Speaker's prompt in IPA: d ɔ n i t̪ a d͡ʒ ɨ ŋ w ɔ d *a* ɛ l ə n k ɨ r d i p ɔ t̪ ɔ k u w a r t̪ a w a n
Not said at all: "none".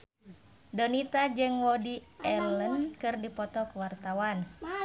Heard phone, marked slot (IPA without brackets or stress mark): i